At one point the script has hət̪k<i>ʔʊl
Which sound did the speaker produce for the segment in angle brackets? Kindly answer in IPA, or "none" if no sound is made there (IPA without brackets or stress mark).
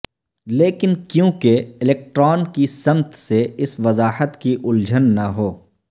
i